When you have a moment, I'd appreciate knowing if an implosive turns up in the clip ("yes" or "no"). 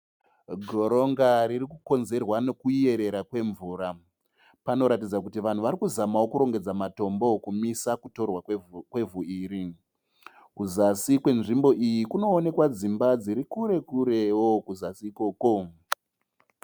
no